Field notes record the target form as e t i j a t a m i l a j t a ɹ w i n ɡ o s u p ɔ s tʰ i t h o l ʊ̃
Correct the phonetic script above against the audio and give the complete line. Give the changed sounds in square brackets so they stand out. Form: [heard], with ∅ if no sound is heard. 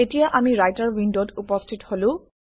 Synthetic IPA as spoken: e t i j a [ʔ] a m i [ɹ] a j t a ɹ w i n [d] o [t] u p ɔ s tʰ i t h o l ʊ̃